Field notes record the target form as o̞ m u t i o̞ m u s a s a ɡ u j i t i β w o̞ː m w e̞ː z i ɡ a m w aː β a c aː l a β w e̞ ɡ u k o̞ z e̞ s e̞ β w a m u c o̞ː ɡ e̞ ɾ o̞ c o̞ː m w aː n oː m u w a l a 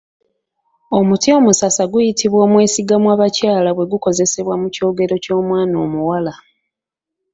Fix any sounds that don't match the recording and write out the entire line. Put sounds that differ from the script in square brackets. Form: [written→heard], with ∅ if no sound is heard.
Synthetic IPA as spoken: o̞ m u t i o̞ m u s a s a ɡ u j i t i β w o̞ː m w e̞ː [z→s] i ɡ a m w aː β a c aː l a β w e̞ ɡ u k o̞ z e̞ s e̞ β w a m u c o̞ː ɡ e̞ ɾ o̞ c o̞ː m w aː n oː m u w a l a